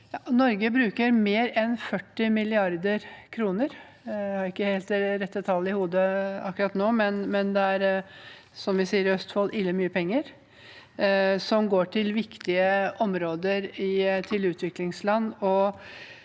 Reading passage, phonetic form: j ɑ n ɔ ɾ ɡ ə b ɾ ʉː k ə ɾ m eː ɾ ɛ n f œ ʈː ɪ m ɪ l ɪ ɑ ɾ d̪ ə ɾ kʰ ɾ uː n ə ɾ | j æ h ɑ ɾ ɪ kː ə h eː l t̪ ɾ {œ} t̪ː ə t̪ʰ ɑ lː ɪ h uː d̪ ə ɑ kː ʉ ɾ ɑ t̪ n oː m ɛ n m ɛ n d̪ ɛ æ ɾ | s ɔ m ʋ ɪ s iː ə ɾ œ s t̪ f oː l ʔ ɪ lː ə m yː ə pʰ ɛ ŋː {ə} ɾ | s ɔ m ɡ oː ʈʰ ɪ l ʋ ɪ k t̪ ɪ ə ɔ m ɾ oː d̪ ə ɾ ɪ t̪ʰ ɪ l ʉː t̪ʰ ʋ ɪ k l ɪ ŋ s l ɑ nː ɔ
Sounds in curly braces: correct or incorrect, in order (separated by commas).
incorrect, correct